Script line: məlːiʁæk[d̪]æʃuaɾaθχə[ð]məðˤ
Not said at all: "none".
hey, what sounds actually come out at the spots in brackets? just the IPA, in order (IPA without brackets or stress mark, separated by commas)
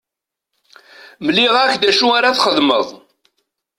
d̪, ð